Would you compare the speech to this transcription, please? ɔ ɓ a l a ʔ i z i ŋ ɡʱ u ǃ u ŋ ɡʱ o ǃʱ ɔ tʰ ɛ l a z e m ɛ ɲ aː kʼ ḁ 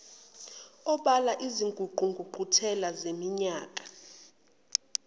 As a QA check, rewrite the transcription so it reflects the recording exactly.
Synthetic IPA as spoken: ɔ ɓ a l a ʔ i z i ŋ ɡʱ u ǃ u ŋ ɡʱ u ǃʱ u tʰ ɛ l a z e m i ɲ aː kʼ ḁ